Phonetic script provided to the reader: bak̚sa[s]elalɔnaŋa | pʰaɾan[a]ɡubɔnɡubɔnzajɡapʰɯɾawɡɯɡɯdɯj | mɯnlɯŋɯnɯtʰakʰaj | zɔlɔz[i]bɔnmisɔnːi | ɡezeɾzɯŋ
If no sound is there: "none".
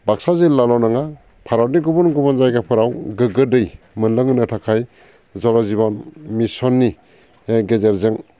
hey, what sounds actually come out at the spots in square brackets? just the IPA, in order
z, i, i

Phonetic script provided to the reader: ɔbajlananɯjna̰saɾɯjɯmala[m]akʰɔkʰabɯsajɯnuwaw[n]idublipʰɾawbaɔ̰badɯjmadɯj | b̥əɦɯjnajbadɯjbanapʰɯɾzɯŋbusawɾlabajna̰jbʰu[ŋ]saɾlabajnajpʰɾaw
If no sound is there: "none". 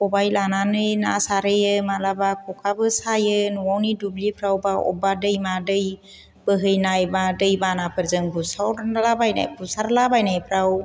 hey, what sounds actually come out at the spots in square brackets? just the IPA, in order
b, n, none

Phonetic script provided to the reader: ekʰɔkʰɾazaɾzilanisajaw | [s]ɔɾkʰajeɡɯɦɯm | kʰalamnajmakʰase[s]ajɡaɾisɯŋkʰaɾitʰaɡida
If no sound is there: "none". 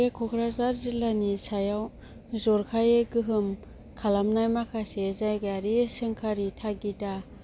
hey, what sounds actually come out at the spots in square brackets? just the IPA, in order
z, z

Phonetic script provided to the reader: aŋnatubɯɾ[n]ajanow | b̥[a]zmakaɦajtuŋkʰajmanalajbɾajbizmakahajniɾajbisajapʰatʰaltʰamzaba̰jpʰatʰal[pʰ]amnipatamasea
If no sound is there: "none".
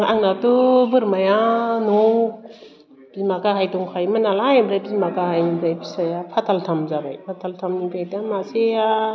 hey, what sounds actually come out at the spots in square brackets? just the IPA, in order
m, i, tʰ

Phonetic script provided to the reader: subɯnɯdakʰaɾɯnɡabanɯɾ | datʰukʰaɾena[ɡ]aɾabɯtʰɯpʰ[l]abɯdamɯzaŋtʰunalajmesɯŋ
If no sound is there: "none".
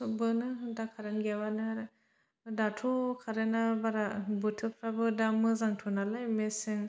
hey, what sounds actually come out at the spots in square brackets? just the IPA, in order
b, ɾ

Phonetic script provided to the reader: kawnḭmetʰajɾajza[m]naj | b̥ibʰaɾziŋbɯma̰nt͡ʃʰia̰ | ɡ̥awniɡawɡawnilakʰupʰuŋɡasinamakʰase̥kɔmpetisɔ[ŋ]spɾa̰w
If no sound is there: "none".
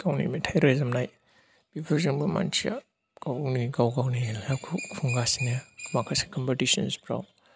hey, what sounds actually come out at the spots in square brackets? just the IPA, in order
m, n

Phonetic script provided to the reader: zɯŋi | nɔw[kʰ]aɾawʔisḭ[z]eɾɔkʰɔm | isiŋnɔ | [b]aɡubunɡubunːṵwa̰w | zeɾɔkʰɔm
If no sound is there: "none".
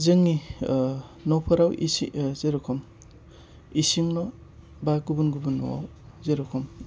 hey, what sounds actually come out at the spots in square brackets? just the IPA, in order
pʰ, z, b

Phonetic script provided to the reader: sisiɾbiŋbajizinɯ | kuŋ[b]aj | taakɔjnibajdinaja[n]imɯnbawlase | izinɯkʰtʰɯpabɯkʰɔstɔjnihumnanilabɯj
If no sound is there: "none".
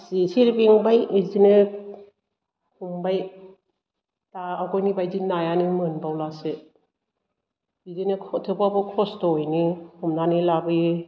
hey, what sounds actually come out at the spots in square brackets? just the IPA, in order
b, n

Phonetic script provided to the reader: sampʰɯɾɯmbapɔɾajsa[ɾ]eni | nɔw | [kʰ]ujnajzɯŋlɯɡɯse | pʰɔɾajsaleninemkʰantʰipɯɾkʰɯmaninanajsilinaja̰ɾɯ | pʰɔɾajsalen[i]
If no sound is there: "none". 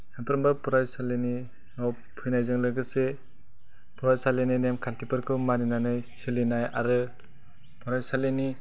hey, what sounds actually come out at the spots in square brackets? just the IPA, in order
l, pʰ, i

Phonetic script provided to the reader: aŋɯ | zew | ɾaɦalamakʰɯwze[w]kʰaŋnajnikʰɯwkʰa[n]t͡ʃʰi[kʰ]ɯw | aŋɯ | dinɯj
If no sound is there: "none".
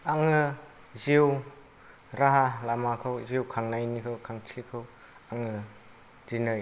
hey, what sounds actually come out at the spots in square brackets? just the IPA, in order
w, ŋ, kʰ

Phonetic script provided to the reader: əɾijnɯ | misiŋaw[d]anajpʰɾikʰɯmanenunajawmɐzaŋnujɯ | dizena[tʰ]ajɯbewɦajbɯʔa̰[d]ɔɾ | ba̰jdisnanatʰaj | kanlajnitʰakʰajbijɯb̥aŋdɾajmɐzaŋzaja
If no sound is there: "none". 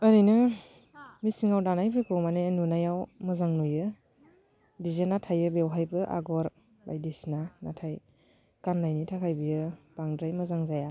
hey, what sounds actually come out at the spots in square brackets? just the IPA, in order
d, tʰ, ɡ

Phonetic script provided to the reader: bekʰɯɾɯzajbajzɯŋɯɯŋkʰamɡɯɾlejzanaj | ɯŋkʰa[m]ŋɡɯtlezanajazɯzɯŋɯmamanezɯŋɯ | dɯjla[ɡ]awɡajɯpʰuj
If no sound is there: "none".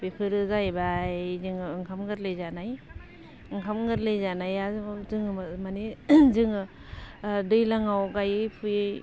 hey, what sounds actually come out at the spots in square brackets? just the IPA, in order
m, ŋ

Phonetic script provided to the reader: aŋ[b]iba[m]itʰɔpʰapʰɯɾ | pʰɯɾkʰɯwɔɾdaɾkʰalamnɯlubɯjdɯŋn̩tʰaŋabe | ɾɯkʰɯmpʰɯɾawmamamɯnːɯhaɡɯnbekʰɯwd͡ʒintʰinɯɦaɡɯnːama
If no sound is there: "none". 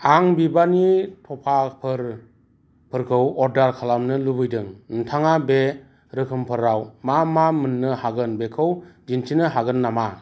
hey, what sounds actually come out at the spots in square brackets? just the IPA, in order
b, n

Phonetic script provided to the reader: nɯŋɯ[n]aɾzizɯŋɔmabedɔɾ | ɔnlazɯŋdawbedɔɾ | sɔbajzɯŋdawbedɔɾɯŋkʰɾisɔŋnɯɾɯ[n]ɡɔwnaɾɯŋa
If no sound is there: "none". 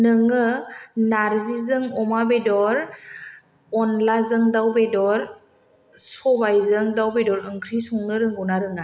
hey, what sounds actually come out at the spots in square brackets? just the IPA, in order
n, ŋ

